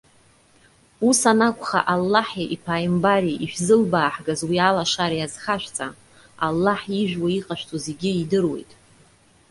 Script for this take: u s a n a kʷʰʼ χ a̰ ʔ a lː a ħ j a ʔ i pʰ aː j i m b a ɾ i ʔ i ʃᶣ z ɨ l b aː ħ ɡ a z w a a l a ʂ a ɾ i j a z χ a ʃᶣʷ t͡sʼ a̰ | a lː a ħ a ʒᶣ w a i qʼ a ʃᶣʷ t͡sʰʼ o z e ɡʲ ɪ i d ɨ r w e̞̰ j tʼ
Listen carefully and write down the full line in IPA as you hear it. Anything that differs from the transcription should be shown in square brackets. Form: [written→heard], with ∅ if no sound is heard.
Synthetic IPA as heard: u s a n a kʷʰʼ χ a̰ ʔ a lː a ħ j a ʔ i pʰ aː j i m b a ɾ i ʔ i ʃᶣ z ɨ l b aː ħ ɡ a z w [a→i] a l a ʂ a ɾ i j a z χ a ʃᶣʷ t͡sʼ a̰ | a lː a ħ [a→i] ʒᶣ w a i qʼ a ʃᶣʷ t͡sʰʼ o z e ɡʲ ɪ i d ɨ r w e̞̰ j tʼ